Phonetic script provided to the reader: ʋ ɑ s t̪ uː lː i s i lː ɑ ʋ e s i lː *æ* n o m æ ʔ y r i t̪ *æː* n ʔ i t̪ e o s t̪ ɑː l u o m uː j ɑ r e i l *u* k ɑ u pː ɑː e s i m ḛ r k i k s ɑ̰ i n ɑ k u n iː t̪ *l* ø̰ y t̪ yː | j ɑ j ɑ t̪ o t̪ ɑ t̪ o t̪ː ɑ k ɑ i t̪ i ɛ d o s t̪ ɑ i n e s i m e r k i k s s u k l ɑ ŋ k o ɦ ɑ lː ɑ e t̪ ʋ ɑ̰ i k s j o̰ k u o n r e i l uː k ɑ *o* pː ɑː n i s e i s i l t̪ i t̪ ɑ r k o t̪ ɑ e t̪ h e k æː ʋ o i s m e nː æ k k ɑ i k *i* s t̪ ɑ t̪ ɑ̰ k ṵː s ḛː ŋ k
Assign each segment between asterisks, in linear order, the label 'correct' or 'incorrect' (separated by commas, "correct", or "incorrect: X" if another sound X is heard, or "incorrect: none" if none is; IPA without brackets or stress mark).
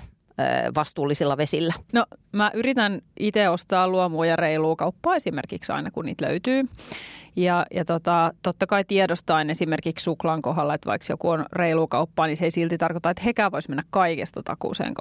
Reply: correct, incorrect: æ, incorrect: uː, correct, incorrect: u, incorrect: e